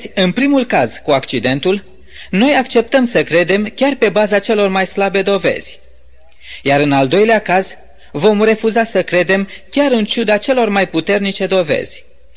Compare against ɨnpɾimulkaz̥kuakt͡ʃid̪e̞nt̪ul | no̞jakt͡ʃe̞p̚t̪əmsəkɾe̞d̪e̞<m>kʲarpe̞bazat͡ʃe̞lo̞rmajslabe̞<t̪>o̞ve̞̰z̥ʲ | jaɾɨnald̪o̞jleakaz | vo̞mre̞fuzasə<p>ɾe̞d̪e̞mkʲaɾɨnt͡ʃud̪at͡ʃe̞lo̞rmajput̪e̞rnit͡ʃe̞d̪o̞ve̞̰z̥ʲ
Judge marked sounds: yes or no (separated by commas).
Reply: yes, no, no